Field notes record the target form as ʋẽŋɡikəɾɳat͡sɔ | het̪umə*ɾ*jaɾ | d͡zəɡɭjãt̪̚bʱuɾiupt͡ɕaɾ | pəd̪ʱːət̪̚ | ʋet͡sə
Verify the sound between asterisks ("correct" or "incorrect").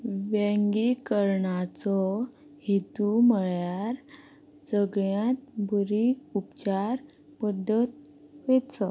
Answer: incorrect